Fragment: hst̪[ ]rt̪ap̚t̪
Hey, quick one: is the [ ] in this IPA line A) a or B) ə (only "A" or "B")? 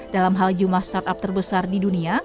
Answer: A